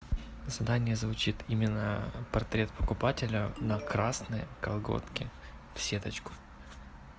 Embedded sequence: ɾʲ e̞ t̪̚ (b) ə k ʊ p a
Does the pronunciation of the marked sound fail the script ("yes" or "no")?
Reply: yes